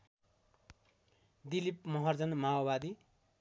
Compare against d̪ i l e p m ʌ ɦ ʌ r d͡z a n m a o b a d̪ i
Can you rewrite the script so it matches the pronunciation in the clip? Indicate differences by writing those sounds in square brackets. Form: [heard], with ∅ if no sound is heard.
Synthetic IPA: d̪ i l [i] p m ʌ ɦ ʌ r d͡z [ʌ] n m a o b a d̪ i